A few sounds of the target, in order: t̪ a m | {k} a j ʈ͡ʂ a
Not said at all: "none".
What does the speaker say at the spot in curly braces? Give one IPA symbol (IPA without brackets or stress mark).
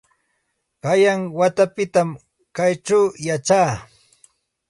k